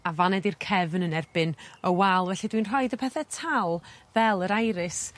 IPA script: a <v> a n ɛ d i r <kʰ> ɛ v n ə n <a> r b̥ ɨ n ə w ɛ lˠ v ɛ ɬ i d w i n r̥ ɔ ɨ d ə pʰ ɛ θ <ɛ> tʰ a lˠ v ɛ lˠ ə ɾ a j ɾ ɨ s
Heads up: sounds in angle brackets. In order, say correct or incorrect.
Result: correct, correct, incorrect, correct

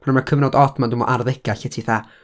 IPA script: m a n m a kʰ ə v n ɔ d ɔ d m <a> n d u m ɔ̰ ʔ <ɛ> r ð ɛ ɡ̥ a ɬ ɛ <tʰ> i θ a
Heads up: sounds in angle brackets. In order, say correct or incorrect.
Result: correct, incorrect, correct

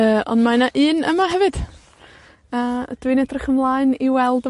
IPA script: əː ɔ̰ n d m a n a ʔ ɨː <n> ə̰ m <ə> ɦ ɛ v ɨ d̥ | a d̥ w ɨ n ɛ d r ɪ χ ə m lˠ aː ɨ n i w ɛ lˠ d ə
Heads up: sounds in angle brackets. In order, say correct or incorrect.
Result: correct, incorrect

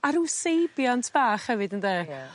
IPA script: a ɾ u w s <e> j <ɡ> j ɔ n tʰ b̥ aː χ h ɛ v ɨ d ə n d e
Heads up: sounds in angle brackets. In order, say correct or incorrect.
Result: correct, incorrect

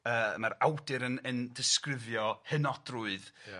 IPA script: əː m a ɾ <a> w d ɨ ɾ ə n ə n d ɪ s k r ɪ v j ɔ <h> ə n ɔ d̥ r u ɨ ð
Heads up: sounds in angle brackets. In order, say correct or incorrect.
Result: correct, correct

